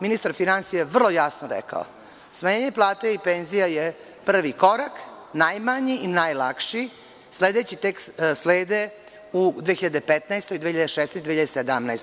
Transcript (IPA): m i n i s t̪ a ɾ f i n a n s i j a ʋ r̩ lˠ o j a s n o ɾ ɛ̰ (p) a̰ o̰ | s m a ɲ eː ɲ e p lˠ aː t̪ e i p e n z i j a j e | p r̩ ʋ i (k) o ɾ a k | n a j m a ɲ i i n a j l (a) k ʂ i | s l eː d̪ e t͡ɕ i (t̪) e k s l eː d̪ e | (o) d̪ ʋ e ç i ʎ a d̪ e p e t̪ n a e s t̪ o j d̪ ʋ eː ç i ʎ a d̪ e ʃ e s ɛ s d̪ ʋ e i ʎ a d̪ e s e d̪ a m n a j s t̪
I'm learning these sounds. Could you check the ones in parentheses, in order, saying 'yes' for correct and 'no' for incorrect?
no, yes, yes, yes, no

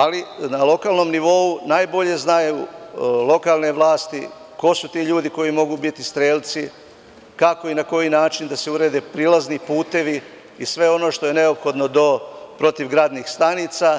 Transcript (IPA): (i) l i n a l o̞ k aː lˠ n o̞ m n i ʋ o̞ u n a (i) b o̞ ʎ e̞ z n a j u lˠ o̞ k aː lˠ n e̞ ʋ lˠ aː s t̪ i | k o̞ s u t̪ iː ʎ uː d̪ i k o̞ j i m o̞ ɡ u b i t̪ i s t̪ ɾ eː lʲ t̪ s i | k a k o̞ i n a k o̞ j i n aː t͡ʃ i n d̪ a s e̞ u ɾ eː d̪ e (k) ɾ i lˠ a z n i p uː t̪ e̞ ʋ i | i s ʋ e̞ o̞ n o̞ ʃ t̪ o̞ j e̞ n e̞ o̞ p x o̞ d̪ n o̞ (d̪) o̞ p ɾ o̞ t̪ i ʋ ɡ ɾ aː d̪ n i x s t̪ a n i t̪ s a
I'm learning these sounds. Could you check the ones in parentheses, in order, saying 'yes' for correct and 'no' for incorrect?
no, no, no, yes

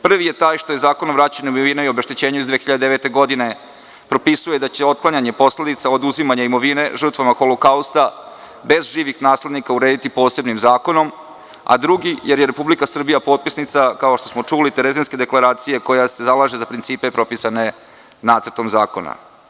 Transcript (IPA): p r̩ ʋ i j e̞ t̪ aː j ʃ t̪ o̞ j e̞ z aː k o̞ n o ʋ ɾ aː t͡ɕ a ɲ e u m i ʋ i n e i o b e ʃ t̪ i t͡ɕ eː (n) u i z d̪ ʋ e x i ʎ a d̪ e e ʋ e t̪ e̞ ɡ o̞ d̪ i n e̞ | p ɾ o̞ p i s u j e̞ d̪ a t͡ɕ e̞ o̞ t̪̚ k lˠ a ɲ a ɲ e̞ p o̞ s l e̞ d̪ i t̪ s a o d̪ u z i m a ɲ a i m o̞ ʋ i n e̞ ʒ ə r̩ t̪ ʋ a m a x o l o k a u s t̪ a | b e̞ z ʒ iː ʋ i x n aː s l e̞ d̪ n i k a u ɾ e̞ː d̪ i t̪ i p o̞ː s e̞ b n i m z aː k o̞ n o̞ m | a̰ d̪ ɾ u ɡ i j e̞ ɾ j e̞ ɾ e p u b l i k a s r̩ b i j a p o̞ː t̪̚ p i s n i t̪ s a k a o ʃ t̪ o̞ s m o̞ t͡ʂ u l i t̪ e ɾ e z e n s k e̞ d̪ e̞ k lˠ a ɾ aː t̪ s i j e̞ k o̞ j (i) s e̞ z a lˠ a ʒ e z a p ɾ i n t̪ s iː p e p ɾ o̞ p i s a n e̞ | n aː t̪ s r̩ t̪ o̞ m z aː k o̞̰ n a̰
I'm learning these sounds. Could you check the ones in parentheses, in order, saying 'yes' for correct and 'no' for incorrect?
no, no

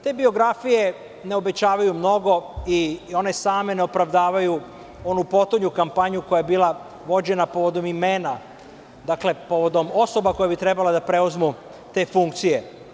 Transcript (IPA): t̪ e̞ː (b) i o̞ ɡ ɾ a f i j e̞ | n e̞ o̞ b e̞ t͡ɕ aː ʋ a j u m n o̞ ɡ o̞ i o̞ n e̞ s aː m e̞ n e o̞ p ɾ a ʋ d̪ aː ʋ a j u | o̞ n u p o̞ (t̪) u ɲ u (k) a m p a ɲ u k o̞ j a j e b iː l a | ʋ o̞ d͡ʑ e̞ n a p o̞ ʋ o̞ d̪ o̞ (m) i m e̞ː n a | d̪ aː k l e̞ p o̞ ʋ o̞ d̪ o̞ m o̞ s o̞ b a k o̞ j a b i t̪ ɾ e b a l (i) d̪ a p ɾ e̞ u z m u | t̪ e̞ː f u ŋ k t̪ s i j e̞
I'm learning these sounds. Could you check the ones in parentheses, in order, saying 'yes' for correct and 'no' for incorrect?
yes, yes, yes, yes, no

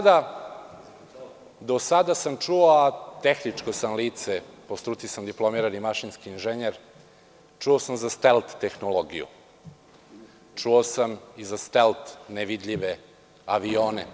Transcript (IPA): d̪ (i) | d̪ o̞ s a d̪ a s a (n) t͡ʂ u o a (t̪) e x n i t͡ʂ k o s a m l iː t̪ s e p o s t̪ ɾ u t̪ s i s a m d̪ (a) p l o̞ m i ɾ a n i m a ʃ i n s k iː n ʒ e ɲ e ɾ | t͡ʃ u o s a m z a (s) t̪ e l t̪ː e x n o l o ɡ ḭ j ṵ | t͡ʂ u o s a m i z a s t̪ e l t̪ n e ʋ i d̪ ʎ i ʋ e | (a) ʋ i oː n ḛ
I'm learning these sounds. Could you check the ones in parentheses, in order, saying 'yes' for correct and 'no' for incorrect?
no, no, yes, no, yes, yes

